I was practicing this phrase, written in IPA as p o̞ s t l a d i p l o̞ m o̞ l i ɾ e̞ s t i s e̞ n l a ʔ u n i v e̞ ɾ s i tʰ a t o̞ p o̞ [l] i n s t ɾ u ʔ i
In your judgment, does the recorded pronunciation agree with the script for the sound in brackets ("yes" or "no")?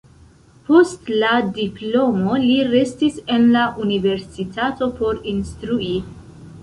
no